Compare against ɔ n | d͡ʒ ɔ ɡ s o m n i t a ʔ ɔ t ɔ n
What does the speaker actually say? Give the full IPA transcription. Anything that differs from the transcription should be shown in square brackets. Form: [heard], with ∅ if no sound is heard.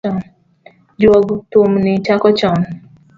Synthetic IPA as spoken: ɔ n | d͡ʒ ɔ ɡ [t] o m n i [t͡ʃ] a [k] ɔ [t͡ʃ] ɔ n